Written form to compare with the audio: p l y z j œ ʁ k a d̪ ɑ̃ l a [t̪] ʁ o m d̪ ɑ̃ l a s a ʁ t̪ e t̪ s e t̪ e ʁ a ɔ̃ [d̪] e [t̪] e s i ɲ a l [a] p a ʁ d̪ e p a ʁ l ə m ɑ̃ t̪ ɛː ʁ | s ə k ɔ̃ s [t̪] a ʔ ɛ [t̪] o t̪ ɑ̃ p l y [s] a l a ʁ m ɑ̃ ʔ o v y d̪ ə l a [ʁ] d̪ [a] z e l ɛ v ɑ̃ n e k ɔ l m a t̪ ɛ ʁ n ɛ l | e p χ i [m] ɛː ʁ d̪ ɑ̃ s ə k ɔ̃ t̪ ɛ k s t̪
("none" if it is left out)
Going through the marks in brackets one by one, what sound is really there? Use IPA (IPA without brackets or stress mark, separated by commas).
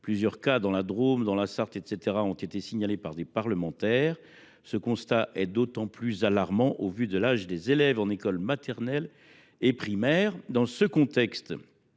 d̪, t̪, t̪, e, t̪, d̪, z, ʒ, e, m